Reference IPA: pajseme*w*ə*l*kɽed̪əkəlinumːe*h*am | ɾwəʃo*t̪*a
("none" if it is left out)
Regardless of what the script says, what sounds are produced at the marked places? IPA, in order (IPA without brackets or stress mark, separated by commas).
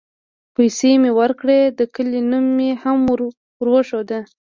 w, ɾ, h, d̪